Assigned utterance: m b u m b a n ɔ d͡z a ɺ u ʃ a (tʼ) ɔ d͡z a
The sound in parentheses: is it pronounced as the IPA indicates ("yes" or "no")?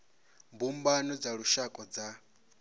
no